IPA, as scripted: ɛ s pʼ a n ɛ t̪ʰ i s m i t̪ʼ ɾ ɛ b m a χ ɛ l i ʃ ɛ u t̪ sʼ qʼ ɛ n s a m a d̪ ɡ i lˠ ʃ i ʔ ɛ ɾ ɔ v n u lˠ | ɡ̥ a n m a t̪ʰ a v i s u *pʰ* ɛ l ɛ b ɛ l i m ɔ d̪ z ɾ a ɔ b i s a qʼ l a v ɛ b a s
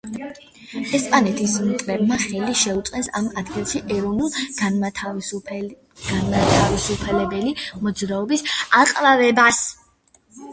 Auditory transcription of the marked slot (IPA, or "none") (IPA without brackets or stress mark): pʰ